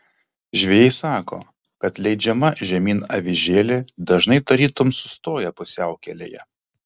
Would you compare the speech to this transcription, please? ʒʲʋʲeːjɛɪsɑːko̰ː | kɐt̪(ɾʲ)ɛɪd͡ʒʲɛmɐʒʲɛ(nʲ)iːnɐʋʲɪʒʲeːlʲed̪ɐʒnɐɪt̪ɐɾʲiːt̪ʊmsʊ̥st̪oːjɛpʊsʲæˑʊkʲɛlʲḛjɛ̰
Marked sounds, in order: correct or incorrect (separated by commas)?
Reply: incorrect, incorrect